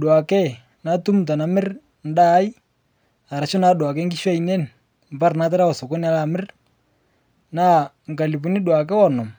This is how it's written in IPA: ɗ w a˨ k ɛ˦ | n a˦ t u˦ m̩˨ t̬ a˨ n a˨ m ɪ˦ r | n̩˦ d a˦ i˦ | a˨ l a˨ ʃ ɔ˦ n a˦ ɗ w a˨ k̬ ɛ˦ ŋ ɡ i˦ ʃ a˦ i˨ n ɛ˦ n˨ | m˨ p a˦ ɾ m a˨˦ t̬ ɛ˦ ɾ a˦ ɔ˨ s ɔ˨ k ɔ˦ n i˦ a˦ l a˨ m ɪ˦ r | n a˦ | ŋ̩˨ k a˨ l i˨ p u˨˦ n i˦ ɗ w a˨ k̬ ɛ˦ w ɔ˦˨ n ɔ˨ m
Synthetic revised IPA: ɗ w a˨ k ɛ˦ | n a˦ t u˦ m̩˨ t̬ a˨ n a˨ m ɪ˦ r | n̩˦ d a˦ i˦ | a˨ ɾ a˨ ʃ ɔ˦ n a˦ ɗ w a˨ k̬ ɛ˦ ŋ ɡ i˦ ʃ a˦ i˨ n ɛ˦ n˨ | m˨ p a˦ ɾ n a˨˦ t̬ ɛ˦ ɾ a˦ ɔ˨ s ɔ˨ k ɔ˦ n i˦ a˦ l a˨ m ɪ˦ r | n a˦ | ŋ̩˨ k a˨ l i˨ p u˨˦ n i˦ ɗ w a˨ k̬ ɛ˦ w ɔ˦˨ n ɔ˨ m